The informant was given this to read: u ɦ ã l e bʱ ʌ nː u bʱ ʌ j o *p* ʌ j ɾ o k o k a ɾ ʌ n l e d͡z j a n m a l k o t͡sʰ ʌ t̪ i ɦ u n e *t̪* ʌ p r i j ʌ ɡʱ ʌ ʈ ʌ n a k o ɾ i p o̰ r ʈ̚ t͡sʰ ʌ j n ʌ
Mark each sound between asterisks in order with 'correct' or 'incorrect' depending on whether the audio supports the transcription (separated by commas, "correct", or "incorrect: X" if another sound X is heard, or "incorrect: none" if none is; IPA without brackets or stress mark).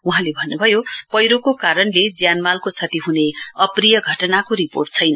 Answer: correct, incorrect: none